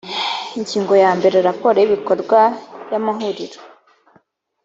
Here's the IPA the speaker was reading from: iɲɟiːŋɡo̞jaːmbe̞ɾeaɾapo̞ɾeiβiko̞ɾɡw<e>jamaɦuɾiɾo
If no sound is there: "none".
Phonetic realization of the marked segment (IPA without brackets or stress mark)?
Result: a